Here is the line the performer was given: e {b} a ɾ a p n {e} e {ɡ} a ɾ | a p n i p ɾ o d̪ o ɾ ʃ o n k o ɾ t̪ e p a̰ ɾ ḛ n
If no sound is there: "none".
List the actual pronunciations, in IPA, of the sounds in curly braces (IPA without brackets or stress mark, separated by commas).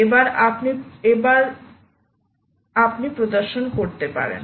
b, i, b